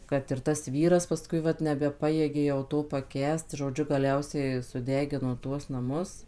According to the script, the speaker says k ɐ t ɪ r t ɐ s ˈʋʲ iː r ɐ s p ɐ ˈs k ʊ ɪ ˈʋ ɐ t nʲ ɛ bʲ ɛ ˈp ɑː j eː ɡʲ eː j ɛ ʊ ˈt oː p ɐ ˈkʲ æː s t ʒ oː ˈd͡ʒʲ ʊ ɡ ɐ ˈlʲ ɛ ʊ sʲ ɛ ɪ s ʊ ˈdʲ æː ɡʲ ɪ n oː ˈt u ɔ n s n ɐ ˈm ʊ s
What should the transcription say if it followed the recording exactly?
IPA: k ɐ t ɪ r t ɐ s ˈʋʲ iː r ɐ s p ɐ ˈs k ʊ ɪ ˈʋ ɐ t nʲ ɛ bʲ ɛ ˈp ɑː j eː ɡʲ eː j ɛ ʊ ˈt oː p ɐ ˈkʲ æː s t ʒ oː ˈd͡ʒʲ ʊ ɡ ɐ ˈlʲ ɛ ʊ sʲ ɛ ɪ s ʊ ˈdʲ æː ɡʲ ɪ n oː ˈt u ɔ s n ɐ ˈm ʊ s